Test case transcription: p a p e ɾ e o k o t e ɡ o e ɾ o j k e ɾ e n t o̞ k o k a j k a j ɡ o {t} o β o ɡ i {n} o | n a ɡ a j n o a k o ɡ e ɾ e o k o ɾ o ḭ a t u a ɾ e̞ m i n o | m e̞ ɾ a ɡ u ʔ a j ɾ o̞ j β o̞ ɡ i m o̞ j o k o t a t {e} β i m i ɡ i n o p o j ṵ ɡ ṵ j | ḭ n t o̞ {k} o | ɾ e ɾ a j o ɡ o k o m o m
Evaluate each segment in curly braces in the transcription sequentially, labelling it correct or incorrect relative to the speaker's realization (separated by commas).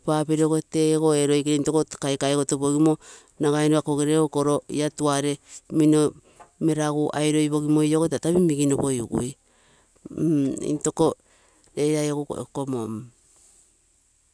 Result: correct, incorrect, incorrect, correct